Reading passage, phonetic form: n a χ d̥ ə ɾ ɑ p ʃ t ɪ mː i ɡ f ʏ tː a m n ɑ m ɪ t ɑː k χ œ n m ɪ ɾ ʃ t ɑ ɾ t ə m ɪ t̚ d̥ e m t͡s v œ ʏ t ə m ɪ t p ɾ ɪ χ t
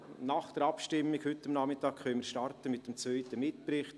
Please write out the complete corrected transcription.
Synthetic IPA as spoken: n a χ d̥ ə ɾ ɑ p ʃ t ɪ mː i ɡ h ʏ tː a m n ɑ m ɪ t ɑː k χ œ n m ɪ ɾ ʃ t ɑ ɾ t ə m ɪ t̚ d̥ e m t͡s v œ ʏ t ə m ɪ t p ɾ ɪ χ t